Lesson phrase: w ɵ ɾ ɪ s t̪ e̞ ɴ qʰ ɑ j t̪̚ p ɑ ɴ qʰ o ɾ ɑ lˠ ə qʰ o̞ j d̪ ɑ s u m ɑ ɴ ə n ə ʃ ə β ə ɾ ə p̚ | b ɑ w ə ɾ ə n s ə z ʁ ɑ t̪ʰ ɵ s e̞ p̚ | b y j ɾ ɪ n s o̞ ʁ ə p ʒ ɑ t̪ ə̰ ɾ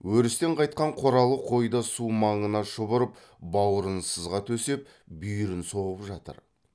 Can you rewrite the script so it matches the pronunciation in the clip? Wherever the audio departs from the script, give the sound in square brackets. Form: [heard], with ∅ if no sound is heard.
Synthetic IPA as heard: w ɵ ɾ ɪ s t̪ e̞ ɴ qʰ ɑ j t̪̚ [q] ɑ ɴ qʰ o ɾ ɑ lˠ ə qʰ o̞ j d̪ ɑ s u m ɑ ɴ ə n [ɑ] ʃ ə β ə ɾ ə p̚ | b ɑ w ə ɾ ə n s ə z ʁ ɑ t̪ʰ ɵ s e̞ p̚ | b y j ɾ ɪ n s o̞ ʁ ə p ʒ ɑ t̪ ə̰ ɾ

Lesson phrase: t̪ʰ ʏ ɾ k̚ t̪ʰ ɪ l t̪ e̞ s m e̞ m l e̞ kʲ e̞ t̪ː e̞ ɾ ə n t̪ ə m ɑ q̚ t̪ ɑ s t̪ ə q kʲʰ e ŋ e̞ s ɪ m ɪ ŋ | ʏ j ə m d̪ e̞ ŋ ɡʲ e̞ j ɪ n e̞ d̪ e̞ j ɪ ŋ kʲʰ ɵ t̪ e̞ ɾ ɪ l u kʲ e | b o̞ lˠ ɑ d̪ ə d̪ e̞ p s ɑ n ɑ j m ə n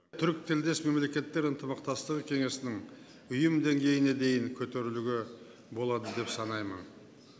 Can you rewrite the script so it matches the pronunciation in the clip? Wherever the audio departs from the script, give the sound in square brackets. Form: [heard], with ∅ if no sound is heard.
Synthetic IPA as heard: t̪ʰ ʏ ɾ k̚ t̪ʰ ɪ l [d̪] e̞ s m e̞ m l e̞ kʲ e̞ t̪ː e̞ ɾ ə n t̪ ə m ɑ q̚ t̪ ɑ s t̪ ə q kʲʰ e ŋ e̞ s ɪ [n] ɪ ŋ | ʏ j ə m d̪ e̞ ŋ ɡʲ e̞ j ɪ n e̞ d̪ e̞ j ɪ ŋ kʲʰ ɵ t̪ e̞ ɾ ɪ l u [ɡʲ] e | b o̞ lˠ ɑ d̪ ə d̪ e̞ p s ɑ n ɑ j m ə n

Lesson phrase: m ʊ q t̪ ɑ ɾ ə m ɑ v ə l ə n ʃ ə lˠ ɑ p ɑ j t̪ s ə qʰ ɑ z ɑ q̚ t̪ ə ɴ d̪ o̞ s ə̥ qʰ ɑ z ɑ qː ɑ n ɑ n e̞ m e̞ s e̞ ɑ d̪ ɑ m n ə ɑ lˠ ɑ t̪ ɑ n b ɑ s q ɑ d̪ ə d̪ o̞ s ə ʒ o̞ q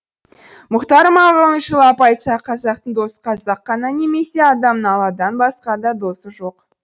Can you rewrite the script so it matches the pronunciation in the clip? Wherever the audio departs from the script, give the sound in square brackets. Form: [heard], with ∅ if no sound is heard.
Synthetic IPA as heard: m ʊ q t̪ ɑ ɾ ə m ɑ [ʁ] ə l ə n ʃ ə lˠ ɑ p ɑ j t̪ s [ɑ] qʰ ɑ z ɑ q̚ t̪ ə ɴ d̪ o̞ s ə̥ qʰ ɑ z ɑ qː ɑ n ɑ n e̞ m e̞ s e̞ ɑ d̪ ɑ m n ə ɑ lˠ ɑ [d̪] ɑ n b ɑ s q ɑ d̪ [ɑ] d̪ o̞ s ə ʒ o̞ q

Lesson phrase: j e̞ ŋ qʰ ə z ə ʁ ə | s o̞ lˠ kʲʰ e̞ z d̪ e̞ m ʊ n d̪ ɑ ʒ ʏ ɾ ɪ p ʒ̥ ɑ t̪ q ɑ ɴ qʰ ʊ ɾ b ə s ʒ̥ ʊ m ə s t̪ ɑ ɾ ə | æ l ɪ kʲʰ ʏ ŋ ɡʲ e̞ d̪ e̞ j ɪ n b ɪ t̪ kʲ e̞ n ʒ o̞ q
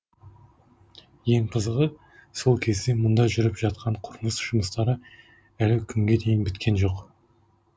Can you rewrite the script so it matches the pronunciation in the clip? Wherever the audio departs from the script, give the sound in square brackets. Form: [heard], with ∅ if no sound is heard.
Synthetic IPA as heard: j e̞ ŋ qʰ ə z ə ʁ ə | s o̞ lˠ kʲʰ e̞ z d̪ e̞ m ʊ n d̪ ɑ ʒ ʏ ɾ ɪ p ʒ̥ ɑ t̪ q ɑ ɴ qʰ ʊ ɾ [m] ə s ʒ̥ ʊ m ə s t̪ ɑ ɾ ə | æ l ɪ kʲʰ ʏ ŋ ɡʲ e̞ d̪ e̞ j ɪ n b ɪ t̪ kʲ e̞ n ʒ o̞ q

